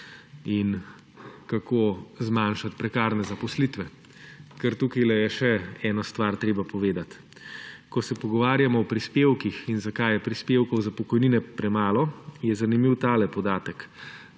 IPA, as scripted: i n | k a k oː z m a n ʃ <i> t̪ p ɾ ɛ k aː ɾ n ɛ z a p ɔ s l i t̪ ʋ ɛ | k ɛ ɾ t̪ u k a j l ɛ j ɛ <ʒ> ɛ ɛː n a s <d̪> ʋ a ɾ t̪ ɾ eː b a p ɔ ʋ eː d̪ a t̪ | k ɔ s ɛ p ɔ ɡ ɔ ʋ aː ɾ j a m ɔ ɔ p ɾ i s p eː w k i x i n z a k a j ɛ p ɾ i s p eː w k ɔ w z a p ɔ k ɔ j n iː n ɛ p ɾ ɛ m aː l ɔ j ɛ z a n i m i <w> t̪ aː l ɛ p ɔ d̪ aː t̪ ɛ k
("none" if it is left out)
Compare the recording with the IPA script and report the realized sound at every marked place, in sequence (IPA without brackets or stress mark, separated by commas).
a, ʃ, t̪, w